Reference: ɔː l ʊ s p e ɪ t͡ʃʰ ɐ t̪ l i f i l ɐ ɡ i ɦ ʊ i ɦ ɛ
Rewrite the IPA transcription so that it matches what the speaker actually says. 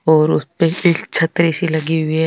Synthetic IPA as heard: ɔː ɾ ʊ s p e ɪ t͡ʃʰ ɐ t̪ ɾ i s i l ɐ ɡ i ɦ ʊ i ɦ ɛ